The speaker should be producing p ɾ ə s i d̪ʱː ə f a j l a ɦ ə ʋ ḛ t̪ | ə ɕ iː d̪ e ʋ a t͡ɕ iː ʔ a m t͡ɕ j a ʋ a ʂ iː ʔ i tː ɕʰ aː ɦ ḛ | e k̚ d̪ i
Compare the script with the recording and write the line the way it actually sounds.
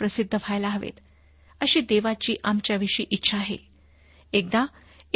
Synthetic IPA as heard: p ɾ ə s i d̪ʱː ə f a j l a ɦ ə ʋ ḛ t̪ | ə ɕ iː d̪ e ʋ a t͡ɕ iː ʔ a m t͡ɕ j a ʋ i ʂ iː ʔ i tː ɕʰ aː ɦ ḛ | e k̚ d̪ a